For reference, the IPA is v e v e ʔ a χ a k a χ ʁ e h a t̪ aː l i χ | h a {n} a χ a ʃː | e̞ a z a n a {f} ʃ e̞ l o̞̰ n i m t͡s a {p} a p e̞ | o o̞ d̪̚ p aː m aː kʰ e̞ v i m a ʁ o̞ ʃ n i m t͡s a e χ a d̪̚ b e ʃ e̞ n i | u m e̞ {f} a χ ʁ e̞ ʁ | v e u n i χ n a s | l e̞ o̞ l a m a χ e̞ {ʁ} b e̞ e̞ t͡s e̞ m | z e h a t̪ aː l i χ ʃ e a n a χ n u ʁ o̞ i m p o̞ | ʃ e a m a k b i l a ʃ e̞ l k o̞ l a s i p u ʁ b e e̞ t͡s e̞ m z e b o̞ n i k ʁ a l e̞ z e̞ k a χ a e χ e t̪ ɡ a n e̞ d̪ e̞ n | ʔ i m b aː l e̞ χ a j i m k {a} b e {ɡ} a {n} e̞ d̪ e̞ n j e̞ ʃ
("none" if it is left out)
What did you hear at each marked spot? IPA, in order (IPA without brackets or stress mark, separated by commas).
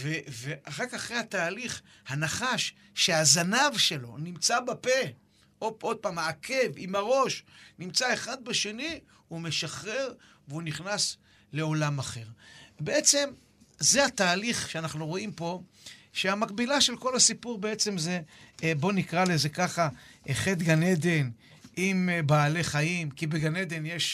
n, v, b, ʃ, ʁ, i, ɡ, n